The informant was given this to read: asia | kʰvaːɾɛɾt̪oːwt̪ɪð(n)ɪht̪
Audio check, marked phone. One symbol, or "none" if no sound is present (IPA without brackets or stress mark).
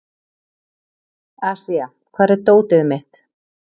m